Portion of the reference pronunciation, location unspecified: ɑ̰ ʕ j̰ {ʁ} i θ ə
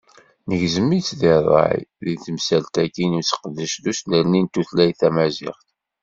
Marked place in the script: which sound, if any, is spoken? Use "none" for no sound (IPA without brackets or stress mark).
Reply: ð